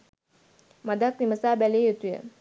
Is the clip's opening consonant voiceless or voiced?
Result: voiced